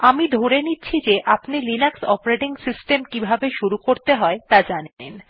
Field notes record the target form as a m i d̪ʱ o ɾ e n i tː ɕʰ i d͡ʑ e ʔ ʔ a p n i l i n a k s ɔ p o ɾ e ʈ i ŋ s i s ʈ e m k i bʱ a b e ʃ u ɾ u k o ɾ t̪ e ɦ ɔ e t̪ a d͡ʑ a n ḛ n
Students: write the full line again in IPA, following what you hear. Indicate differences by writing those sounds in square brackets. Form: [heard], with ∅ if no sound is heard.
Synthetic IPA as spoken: a m i d̪ʱ o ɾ e n i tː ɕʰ i d͡ʑ e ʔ ʔ a p n i l i n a k s ɔ p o ɾ e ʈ i ŋ s i s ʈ e m k i bʱ a b e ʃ u ɾ u k o ɾ t̪ e ɦ ɔ e t̪ a d͡ʑ a n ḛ n